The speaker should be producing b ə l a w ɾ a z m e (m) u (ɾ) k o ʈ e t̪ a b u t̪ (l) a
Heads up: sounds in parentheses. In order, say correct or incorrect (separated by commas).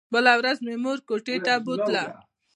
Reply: correct, correct, correct